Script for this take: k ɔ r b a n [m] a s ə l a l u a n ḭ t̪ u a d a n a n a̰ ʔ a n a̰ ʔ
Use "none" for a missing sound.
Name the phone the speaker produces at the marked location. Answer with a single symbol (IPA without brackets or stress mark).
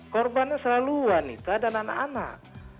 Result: ɲ